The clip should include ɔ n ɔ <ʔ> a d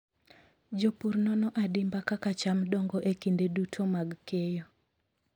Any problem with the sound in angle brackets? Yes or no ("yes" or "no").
no